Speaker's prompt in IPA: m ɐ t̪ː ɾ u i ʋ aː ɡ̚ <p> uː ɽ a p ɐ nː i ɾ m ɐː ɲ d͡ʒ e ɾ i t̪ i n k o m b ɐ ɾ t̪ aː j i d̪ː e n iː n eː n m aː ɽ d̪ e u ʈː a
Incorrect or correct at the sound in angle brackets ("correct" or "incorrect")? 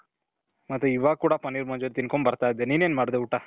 incorrect